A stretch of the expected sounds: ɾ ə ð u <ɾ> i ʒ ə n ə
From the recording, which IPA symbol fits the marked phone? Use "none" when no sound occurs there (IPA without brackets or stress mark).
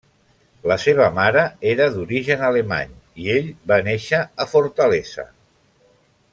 ɾ